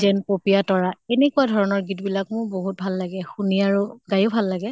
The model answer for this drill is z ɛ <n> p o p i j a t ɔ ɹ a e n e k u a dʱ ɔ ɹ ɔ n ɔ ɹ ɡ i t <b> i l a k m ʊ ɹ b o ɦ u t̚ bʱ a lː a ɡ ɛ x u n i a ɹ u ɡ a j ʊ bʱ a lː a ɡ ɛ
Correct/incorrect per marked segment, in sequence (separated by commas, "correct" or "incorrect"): correct, correct